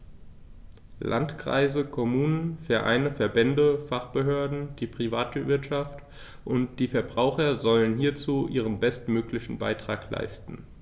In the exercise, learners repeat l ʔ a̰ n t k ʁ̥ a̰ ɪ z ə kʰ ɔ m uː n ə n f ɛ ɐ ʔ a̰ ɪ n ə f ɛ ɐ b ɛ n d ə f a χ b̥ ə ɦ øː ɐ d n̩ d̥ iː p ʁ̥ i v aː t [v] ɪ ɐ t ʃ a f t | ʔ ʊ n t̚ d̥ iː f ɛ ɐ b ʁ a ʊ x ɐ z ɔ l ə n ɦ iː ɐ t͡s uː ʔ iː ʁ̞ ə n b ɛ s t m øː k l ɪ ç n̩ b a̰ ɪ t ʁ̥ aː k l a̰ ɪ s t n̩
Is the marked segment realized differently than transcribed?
no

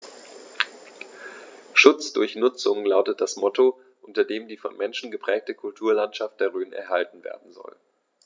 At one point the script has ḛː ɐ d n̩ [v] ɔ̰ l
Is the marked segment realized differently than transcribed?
yes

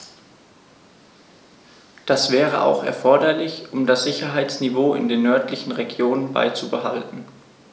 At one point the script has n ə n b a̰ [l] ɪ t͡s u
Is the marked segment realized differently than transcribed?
yes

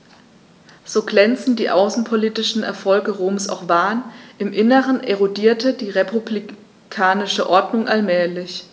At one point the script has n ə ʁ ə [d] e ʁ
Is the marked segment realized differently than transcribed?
yes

